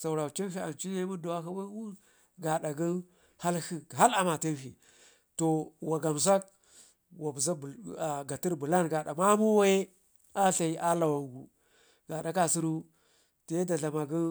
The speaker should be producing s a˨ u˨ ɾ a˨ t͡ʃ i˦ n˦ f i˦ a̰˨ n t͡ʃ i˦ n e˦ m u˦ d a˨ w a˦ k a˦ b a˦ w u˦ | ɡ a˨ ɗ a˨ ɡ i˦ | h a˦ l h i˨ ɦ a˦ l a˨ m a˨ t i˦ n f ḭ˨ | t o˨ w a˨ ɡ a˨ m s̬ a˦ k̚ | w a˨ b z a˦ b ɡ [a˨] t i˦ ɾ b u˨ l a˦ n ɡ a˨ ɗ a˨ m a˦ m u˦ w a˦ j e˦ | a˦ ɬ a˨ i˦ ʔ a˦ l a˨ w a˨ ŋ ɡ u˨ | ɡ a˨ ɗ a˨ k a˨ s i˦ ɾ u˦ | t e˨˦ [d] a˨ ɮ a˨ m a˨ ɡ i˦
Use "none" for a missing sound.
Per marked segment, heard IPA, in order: a˨, d

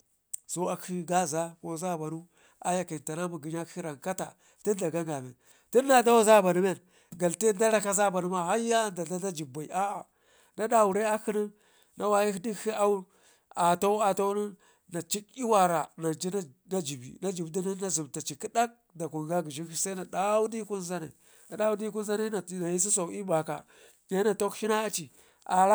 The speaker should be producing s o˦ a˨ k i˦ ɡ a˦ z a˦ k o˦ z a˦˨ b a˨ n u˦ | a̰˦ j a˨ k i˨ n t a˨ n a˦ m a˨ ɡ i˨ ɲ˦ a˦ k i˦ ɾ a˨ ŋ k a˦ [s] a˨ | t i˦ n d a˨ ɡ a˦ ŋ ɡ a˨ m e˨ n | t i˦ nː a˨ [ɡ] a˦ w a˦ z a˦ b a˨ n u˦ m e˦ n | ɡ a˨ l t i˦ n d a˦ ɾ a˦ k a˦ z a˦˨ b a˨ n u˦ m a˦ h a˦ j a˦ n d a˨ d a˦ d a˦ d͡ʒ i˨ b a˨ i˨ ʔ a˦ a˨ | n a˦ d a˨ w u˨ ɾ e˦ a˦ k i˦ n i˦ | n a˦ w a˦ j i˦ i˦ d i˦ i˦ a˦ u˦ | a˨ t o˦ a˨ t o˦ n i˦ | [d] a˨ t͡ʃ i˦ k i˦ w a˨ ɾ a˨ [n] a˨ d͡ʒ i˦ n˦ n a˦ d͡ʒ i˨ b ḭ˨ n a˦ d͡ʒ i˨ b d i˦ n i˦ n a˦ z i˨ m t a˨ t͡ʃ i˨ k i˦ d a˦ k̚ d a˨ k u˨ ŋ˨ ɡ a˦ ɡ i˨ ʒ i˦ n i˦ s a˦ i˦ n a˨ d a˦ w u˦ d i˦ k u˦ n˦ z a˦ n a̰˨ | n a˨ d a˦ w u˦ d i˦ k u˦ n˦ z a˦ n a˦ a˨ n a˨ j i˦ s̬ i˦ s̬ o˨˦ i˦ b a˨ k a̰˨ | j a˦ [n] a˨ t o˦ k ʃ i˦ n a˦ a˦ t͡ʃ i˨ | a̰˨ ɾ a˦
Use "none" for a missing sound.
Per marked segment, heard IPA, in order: t, d, n, n, n

